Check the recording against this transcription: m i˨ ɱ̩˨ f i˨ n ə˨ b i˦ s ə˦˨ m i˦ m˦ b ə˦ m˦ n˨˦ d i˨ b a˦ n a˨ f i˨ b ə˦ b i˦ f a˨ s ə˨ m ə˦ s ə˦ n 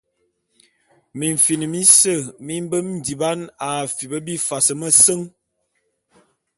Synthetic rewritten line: m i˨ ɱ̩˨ f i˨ n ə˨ m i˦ s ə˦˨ m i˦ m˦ b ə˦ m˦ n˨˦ d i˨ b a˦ n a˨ f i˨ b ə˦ b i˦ f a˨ s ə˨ m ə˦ s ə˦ ŋ